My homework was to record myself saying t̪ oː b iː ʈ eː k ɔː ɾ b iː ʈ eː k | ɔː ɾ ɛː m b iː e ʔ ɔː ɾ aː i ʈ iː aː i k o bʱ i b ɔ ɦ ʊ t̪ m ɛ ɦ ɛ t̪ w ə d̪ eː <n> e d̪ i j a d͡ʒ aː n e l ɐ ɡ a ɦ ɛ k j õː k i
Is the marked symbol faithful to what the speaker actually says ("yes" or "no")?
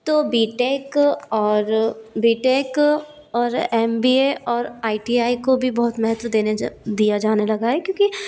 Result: yes